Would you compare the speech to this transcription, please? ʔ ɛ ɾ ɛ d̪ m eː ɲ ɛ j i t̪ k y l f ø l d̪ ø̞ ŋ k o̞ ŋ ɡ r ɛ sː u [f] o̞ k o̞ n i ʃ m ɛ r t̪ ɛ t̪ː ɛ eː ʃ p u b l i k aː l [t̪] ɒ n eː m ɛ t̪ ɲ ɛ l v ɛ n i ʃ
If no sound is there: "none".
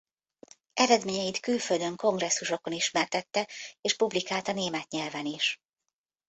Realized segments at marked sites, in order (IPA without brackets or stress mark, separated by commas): ʃ, t̪